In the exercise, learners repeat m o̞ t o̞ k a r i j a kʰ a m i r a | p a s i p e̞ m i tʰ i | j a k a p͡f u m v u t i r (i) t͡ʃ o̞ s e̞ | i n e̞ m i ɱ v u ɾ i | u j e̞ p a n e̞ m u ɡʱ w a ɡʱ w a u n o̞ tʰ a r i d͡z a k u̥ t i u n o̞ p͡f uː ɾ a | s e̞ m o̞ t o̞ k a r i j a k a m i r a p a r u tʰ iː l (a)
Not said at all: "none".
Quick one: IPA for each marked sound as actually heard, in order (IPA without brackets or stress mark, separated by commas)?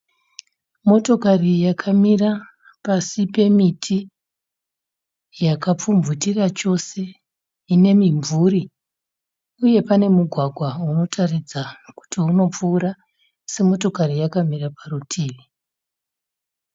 a, i